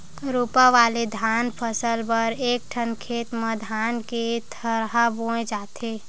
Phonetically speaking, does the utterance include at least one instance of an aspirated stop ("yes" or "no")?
yes